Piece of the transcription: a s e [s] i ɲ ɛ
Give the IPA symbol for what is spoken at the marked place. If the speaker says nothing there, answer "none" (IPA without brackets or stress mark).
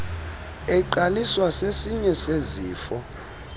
s